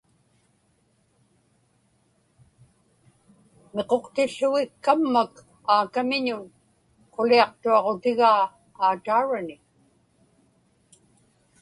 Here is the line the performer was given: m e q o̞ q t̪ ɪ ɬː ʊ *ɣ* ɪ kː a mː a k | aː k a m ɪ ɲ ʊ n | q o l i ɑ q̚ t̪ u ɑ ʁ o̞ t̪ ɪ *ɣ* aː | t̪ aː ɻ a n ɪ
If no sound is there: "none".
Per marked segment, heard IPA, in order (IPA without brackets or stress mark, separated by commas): ɣ, ɣ